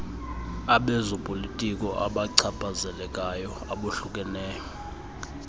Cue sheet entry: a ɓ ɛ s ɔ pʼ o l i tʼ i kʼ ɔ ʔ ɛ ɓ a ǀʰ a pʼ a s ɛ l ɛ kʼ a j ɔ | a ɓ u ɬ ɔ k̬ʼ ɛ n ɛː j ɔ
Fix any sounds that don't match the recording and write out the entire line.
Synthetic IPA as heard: a ɓ ɛ z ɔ pʼ o l i tʼ i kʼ ɔ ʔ a ɓ a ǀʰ a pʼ a z ɛ l ɛ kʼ a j ɔ | a ɓ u ɬ u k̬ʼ ɛ n ɛː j ɔ